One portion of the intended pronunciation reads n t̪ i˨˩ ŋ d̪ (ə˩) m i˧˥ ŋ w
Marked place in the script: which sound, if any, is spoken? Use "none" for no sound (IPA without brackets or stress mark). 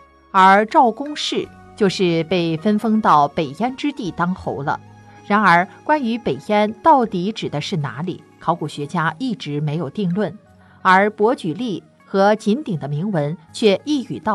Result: ə˦